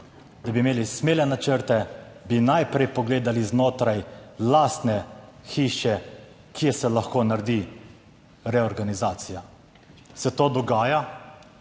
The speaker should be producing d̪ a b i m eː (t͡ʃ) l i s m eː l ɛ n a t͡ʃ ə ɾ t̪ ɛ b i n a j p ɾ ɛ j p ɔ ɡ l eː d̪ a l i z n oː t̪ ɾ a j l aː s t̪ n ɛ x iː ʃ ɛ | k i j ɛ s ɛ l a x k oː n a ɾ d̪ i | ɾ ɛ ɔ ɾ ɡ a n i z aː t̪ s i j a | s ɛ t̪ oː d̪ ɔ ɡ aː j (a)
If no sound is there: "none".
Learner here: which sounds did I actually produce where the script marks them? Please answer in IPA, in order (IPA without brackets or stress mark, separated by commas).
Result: none, a